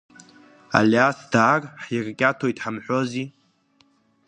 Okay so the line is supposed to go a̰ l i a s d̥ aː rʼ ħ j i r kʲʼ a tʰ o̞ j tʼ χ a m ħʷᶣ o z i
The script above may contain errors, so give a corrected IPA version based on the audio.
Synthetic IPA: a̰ l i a s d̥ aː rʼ ħ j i r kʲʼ a tʰ o̞ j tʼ ħ a m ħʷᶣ o z i